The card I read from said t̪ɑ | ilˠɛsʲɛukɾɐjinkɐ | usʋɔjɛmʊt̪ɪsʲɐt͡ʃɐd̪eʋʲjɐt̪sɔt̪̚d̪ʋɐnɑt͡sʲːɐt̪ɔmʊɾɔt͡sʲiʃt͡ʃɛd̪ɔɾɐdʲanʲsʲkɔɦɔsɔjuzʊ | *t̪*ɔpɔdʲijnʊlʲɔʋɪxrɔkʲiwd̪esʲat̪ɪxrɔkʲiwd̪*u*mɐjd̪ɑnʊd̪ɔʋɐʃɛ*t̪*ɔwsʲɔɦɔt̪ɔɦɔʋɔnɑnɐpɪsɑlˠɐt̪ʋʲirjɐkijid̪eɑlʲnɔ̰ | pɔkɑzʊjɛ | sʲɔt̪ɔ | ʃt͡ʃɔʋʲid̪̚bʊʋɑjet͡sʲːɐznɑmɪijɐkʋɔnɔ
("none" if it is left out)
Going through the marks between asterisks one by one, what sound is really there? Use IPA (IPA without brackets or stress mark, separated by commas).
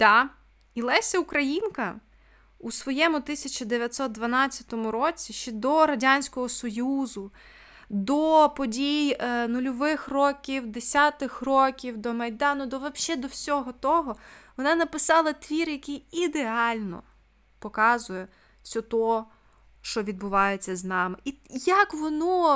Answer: d̪, ɔ, d̪